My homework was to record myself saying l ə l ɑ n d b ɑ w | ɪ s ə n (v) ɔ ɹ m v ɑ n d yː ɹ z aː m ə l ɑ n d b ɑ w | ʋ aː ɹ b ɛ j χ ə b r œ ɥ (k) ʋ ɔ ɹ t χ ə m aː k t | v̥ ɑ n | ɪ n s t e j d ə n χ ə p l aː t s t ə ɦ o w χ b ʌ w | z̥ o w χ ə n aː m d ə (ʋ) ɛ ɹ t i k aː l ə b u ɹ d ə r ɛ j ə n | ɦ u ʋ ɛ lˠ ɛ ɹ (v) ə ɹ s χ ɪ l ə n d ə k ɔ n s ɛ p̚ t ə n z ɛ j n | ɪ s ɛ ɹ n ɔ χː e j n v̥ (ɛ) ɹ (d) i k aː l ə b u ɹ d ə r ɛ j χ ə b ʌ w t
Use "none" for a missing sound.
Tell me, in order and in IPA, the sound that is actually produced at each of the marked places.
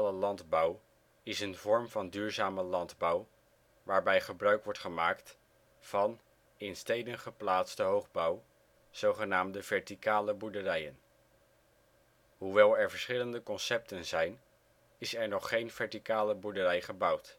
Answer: v, k, v, v, ɛ, t

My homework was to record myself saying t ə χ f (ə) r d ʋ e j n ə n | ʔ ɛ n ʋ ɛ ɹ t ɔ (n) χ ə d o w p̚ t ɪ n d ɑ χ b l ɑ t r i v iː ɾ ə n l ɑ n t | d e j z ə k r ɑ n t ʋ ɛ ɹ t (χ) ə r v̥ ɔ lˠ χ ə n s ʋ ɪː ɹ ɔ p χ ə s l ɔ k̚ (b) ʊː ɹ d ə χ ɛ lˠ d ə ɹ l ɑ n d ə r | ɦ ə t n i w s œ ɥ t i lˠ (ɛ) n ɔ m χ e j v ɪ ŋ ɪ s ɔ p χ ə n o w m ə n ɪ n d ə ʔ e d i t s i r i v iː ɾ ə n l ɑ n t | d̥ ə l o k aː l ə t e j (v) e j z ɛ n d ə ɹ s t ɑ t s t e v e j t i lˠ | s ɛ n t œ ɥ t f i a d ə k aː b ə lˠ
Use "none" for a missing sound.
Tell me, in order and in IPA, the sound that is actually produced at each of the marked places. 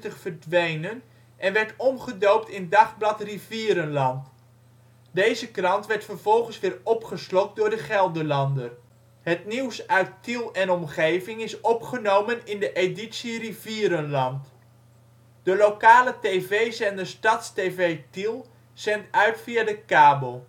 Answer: ə, m, f, d, ɛ, v

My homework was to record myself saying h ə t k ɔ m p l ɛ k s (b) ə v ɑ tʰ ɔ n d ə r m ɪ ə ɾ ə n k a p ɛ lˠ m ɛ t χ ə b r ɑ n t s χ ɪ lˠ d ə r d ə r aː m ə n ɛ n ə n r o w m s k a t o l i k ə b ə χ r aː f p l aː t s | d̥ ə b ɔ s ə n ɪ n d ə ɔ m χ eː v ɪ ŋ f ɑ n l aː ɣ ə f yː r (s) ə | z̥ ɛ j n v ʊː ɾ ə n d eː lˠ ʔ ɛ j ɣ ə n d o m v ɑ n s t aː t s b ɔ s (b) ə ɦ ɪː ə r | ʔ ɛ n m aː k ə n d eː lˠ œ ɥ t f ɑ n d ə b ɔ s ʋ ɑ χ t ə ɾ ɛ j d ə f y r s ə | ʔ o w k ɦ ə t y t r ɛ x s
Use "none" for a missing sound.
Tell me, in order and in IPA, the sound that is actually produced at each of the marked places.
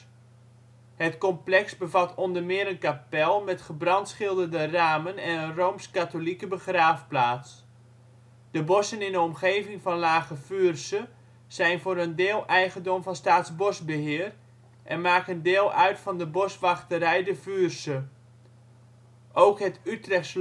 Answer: b, s, b

